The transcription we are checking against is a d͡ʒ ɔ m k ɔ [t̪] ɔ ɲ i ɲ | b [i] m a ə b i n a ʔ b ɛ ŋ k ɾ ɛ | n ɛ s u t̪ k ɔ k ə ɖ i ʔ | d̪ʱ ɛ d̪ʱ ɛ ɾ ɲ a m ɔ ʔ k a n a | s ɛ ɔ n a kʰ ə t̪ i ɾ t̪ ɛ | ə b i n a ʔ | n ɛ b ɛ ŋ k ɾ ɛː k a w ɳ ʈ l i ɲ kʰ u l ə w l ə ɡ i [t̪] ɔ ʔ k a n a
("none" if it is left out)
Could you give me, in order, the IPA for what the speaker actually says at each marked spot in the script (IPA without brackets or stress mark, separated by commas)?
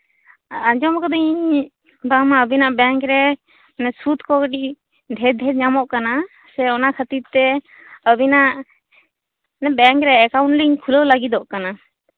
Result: d̪, a, d̪